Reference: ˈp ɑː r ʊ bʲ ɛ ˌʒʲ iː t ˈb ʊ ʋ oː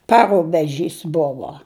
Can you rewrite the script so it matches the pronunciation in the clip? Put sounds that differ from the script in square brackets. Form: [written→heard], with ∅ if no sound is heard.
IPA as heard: ˈp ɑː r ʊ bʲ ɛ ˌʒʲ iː [t→s] ˈb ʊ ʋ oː